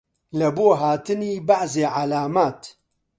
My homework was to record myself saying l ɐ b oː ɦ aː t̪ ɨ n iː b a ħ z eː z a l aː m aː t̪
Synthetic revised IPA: l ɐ b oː ɦ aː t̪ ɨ n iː b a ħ z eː ʕ a l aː m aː t̪